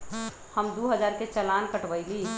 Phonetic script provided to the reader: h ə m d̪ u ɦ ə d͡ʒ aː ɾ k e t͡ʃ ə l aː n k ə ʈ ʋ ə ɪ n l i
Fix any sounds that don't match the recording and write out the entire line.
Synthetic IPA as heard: h ə m d̪ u ɦ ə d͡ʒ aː ɾ k e t͡ʃ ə l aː n k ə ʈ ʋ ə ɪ l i